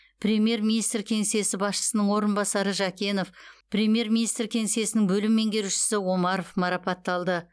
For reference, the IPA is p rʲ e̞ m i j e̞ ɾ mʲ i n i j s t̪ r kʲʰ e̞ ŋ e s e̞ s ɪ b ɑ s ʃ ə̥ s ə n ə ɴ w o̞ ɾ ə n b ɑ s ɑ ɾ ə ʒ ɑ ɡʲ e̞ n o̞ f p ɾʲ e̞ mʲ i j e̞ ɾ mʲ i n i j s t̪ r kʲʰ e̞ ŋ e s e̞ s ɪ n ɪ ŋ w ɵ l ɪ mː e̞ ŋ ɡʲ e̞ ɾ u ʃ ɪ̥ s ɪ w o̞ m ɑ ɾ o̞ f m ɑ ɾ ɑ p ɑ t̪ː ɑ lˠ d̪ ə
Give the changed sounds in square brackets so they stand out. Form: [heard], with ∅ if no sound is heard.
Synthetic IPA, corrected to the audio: p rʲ e̞ m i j e̞ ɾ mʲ i n i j s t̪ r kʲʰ e̞ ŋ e s e̞ s ɪ b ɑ s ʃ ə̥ s ə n ə ɴ w o̞ ɾ ə n b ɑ s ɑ ɾ ə ʒ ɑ [kʲ] e̞ n o̞ f p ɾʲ e̞ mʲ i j e̞ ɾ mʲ i n i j s t̪ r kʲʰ e̞ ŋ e s e̞ s ɪ n ɪ ŋ [b] ɵ l ɪ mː e̞ ŋ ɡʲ e̞ ɾ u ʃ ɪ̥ s ɪ w o̞ m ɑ ɾ o̞ f m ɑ ɾ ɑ p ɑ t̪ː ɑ lˠ d̪ ə

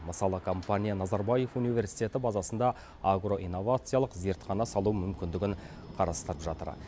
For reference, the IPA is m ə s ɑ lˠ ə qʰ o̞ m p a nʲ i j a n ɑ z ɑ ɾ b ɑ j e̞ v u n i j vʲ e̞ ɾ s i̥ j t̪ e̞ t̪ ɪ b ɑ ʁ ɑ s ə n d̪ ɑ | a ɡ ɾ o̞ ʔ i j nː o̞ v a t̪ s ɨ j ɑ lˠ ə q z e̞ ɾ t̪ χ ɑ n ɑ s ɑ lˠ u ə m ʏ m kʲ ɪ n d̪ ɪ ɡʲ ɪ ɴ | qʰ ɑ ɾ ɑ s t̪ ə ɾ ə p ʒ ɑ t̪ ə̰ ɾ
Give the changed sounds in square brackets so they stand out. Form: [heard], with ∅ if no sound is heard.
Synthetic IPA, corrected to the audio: m ə s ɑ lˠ ə [kʰ] o̞ m p a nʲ i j a n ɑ z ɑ ɾ b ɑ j e̞ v u n i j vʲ e̞ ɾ s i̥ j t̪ e̞ t̪ ɪ b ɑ [z] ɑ s ə n d̪ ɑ | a ɡ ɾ o̞ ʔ i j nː o̞ v a t̪ s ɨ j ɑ lˠ ə q z e̞ ɾ t̪ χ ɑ n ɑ s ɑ lˠ u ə m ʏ m kʲ ɪ n d̪ ɪ ɡʲ ɪ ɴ | qʰ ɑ ɾ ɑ s t̪ ə ɾ ə p ʒ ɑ t̪ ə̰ ɾ

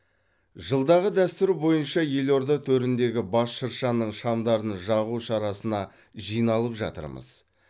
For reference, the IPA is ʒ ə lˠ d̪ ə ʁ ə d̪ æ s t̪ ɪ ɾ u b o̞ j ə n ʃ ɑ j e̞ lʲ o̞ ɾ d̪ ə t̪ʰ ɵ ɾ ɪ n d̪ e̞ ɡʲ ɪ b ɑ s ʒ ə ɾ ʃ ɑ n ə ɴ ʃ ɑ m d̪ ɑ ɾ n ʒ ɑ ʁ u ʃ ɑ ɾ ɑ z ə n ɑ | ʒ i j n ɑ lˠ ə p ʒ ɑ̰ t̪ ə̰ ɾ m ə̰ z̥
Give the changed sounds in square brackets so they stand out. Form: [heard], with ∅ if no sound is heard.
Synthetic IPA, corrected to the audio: ʒ ə lˠ d̪ [ɑ] ʁ ə d̪ æ s t̪ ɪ ɾ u b o̞ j ə n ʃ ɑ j e̞ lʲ o̞ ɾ d̪ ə t̪ʰ ɵ ɾ ɪ n d̪ e̞ ɡʲ ɪ b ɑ s [ʃ] ə ɾ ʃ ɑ n ə ɴ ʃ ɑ m d̪ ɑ ɾ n ʒ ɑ ʁ u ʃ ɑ ɾ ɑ [s] ə n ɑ | ʒ i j n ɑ lˠ ə p ʒ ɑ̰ t̪ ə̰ ɾ m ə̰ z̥

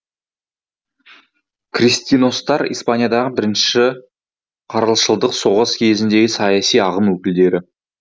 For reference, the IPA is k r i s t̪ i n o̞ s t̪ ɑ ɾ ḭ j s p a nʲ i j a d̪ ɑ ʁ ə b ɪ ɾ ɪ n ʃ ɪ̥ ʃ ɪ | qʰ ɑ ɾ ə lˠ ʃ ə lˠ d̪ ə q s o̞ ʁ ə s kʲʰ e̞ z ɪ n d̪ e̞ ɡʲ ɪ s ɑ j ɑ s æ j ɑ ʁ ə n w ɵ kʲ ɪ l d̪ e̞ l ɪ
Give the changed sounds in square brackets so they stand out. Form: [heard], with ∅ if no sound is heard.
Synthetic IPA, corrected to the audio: k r i s t̪ i n o̞ s t̪ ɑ ɾ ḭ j s p a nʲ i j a d̪ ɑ ʁ ə b ɪ ɾ ɪ n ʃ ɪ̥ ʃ ɪ | qʰ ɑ ɾ ə lˠ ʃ ə lˠ d̪ ə q s o̞ ʁ ə s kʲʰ e̞ z ɪ n d̪ e̞ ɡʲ ɪ s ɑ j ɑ s [i] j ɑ ʁ ə [m] w ɵ kʲ ɪ l d̪ e̞ [ɾ] ɪ

